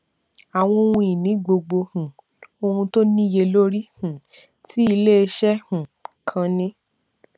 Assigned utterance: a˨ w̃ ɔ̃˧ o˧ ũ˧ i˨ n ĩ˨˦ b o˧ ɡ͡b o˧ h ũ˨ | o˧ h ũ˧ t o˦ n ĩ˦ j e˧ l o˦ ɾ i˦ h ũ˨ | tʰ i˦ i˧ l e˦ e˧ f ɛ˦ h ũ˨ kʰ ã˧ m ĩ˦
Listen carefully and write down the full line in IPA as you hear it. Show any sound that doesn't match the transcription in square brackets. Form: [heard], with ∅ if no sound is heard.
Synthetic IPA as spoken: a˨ w̃ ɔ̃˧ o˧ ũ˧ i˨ n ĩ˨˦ [ɡ͡b] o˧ ɡ͡b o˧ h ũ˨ | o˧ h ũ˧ t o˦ n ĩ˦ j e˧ l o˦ ɾ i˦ h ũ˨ | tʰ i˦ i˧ l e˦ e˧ [ʃ] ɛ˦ h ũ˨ kʰ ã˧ [n] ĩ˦